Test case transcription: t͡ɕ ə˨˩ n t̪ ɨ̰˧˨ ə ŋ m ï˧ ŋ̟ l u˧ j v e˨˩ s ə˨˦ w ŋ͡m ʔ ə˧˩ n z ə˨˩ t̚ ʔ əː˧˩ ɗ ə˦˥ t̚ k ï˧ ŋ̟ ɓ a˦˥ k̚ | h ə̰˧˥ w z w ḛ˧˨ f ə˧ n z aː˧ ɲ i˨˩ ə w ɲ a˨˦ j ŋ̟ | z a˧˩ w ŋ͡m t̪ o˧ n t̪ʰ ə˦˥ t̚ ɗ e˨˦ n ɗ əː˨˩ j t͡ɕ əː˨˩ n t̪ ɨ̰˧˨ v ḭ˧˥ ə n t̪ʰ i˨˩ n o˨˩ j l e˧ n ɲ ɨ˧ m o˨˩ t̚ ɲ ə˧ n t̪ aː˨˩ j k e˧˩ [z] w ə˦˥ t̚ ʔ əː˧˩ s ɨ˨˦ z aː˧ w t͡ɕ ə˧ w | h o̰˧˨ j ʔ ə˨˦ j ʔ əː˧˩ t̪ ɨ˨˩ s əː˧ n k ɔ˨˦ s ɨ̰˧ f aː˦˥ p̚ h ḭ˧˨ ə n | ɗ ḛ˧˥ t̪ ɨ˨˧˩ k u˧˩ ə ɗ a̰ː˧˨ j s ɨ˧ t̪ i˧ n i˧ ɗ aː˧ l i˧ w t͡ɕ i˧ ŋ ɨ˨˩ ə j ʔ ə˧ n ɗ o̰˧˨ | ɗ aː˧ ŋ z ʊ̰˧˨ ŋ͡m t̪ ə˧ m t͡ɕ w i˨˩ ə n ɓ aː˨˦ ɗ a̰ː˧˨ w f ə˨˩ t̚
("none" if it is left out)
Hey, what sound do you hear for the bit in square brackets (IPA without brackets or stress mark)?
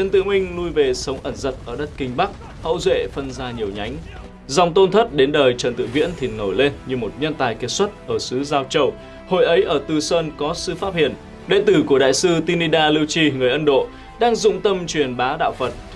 s